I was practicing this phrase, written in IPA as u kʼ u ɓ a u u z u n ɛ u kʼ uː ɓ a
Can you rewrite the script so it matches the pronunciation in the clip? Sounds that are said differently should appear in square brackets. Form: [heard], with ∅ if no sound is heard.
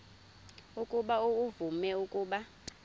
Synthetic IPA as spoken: u kʼ u ɓ a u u [v] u [m] ɛ u kʼ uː ɓ a